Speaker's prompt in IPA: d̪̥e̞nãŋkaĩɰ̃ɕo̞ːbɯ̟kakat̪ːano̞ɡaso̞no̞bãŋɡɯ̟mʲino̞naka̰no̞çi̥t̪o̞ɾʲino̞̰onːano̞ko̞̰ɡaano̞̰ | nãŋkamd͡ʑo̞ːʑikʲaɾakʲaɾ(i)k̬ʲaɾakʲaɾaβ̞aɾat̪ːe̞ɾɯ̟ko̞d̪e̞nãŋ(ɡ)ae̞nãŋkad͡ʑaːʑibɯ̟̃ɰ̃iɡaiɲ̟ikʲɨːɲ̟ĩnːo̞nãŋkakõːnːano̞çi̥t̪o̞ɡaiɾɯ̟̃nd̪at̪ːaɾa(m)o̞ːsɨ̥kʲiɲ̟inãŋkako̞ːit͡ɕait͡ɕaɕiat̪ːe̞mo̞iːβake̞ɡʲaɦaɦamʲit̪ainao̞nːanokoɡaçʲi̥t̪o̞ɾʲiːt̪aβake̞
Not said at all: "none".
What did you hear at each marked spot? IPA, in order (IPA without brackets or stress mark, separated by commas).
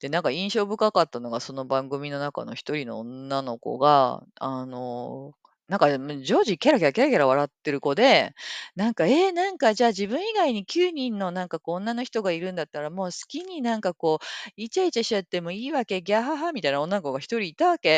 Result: a, k, m